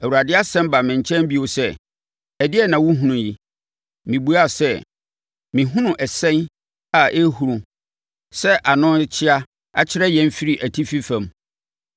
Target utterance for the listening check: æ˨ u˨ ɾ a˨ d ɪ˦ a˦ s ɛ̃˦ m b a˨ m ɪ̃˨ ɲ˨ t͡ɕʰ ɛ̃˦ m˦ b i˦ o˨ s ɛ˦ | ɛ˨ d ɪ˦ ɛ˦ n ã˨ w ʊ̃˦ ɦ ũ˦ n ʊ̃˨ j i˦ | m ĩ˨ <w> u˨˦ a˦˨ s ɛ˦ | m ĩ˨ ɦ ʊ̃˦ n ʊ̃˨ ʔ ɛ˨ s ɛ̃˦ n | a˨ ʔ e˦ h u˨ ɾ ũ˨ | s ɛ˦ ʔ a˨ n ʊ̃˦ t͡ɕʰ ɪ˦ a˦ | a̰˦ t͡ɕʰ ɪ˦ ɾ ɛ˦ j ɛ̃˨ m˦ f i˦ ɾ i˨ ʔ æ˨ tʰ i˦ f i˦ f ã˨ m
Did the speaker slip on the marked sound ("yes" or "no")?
yes